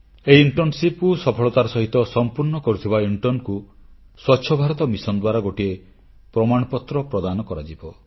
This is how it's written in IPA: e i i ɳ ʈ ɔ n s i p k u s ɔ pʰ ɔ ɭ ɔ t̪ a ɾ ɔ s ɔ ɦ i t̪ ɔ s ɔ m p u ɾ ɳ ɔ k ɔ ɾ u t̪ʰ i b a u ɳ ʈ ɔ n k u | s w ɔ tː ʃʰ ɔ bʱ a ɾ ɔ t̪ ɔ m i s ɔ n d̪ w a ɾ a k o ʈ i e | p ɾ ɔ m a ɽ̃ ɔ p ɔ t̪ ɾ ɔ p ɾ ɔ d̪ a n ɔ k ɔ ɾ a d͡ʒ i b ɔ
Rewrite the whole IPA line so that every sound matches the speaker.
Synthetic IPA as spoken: e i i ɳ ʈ ɔ n s i p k u s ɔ pʰ ɔ ɭ ɔ t̪ a ɾ ɔ s ɔ ɦ i t̪ ɔ s ɔ m p u ɾ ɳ ɔ k ɔ ɾ u t̪ʰ i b a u ɳ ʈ ɔ n k u | s w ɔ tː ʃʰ ɔ bʱ a ɾ ɔ t̪ ɔ m i s ɔ n d̪ w a ɾ a ɡ o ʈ i e | p ɾ ɔ m a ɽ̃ ɔ p ɔ t̪ ɾ ɔ p ɾ ɔ d̪ a n ɔ k ɔ ɾ a d͡ʒ i b ɔ